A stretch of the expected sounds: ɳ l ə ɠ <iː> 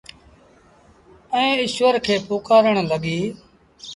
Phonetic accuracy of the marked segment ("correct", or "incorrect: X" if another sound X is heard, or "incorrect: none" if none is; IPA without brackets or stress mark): correct